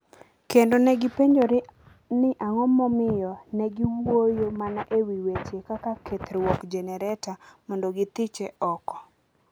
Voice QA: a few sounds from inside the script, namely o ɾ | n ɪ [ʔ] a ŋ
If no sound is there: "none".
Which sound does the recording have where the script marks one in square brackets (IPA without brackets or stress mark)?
ʔ